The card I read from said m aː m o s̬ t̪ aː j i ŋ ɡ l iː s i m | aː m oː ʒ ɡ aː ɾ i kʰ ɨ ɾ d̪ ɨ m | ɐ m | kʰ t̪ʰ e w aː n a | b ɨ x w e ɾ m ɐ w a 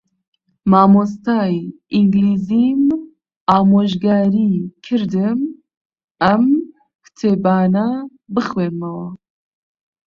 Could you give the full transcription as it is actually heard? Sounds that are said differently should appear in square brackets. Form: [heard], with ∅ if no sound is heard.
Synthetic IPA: m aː m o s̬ t̪ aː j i ŋ ɡ l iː [z] i m | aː m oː ʒ ɡ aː ɾ i kʰ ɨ ɾ d̪ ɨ m | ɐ m | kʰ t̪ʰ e [b] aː n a | b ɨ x w e ɾ m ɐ w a